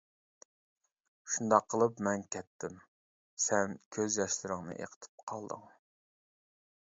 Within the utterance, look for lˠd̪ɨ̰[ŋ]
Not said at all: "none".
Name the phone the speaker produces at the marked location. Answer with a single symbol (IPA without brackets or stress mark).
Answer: ŋ